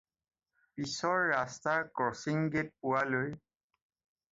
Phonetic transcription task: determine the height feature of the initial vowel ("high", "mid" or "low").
high